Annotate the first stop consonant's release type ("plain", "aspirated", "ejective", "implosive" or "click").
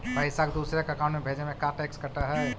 plain